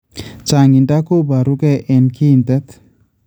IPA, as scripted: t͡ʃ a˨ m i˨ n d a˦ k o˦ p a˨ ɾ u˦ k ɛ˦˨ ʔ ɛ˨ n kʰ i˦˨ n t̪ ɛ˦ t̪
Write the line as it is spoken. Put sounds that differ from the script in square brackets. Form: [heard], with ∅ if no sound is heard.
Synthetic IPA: t͡ʃ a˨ [ŋ] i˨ n d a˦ k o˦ [b] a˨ ɾ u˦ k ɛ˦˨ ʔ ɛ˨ n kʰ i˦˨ n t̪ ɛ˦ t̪